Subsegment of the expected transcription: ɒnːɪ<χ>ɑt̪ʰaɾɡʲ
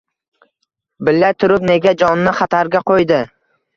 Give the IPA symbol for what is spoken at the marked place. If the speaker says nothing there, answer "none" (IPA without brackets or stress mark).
χ